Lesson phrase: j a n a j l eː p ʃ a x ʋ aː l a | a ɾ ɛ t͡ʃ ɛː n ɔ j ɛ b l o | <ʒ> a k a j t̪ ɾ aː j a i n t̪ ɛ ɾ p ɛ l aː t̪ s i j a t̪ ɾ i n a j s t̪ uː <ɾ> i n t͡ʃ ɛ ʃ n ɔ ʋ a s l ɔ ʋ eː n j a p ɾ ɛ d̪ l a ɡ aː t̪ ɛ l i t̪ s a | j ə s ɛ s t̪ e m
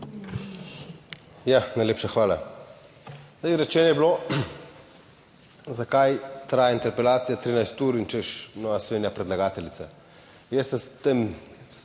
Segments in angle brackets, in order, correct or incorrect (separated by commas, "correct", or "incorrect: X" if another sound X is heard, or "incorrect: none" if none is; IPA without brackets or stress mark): incorrect: z, correct